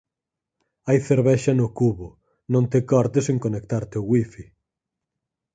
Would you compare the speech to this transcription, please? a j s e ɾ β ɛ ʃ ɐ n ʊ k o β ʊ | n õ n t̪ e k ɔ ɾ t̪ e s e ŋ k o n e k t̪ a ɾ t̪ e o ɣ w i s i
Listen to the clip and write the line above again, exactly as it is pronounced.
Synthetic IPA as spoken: a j θ e ɾ β ɛ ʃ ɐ n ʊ k u β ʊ | n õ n t̪ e k ɔ ɾ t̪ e s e ŋ k o n e k t̪ a ɾ t̪ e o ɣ w i f i